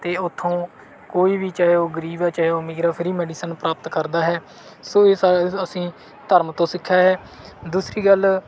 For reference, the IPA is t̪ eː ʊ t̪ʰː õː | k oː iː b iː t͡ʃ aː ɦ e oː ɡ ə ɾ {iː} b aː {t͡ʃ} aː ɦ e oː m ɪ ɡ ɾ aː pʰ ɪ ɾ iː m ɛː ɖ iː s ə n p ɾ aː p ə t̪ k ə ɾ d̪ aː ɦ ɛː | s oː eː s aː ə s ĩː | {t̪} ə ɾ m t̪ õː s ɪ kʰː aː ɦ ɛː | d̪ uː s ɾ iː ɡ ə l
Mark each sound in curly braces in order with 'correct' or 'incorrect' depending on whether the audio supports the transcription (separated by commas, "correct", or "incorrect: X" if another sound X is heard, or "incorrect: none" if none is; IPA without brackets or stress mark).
correct, correct, correct